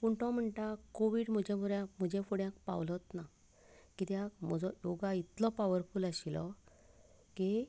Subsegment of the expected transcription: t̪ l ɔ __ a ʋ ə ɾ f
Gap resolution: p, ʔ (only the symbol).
p